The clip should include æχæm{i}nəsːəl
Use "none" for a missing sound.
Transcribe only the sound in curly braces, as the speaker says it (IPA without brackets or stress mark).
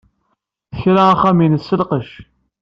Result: i